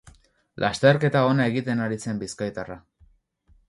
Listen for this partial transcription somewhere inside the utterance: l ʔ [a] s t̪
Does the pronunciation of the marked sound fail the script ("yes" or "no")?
no